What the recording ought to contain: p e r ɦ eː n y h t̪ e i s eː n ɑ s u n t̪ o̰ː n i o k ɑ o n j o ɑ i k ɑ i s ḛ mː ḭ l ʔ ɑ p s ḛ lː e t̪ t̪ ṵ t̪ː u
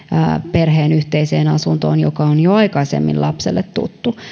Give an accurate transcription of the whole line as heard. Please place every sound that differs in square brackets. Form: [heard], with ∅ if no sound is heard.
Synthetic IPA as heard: p e r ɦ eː n y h t̪ e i s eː n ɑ s u n t̪ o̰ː n [j] o k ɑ o n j o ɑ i k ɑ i s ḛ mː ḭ l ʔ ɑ p s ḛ lː e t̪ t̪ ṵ t̪ː u